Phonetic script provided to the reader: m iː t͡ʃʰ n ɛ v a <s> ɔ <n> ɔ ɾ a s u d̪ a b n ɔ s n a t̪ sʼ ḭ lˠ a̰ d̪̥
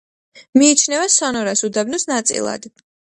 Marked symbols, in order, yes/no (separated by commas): yes, yes